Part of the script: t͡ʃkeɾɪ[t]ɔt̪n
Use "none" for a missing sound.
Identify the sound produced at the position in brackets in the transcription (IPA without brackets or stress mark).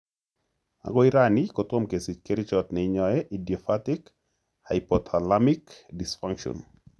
t͡ʃ